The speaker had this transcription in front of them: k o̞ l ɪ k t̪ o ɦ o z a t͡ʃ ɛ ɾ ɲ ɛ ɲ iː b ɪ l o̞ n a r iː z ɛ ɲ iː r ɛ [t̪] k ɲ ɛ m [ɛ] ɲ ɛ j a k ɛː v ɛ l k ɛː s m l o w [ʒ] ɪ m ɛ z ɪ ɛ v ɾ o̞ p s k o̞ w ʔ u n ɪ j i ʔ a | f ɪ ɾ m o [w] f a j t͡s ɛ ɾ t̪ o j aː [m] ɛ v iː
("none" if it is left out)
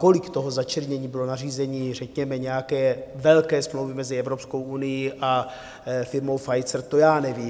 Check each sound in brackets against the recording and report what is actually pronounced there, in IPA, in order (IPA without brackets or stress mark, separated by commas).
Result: none, ɛ, v, w, n